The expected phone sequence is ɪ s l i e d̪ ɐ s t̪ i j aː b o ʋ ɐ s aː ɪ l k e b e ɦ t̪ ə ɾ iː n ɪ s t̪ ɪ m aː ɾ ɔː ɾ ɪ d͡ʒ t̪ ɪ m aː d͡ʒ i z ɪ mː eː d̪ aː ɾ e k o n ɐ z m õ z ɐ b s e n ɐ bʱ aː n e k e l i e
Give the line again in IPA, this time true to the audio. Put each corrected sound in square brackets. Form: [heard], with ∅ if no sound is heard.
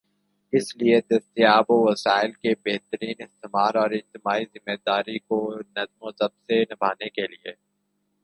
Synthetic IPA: ɪ s l i e d̪ ɐ s t̪ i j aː b o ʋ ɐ s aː ɪ l k e b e ɦ t̪ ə ɾ iː n ɪ s t̪ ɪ m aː ɾ ɔː ɾ ɪ d͡ʒ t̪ ɪ m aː [∅] i z ɪ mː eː d̪ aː ɾ [i] k o n ɐ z m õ [s] ɐ b s e n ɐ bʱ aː n e k e l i e